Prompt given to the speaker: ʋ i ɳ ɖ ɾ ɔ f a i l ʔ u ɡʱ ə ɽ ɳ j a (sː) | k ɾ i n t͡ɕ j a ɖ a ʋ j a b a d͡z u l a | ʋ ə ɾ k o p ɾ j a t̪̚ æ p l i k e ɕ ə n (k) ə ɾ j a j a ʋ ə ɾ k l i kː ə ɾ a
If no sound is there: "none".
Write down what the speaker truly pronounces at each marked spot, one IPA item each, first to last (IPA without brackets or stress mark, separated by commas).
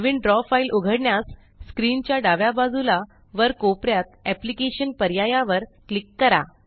sː, p